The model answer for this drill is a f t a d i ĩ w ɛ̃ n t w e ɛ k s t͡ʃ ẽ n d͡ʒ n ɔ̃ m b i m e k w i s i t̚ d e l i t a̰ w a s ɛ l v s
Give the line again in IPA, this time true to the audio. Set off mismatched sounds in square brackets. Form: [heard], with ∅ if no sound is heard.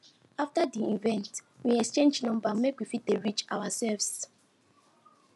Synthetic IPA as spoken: a f t a d i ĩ [v] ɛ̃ n t w [i] ɛ k s t͡ʃ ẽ n d͡ʒ n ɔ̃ m b [a] m e k w i [f] i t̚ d e [ɹ] i [t͡ʃ] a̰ w a s ɛ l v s